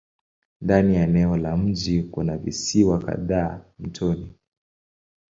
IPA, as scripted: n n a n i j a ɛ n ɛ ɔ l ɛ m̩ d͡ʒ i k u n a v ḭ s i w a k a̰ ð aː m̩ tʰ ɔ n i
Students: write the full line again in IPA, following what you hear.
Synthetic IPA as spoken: n d a n i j a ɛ n ɛ ɔ l a m̩ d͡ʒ i k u n a v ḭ s i w a k a̰ ð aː m̩ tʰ ɔ n i